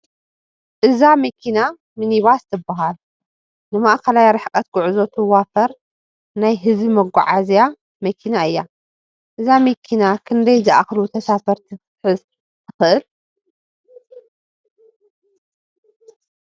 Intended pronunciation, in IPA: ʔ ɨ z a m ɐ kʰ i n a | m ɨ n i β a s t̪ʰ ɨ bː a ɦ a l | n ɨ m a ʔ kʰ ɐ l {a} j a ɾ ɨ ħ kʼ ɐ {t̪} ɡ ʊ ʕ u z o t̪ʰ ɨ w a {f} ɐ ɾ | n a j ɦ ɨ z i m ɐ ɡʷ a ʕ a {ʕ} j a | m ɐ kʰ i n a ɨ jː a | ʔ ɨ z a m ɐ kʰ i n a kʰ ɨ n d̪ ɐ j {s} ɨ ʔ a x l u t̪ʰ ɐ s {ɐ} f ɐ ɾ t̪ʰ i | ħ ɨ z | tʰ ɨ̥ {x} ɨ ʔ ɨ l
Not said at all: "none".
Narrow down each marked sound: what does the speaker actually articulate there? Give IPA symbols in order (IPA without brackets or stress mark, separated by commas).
a, t̪, f, z, z, a, x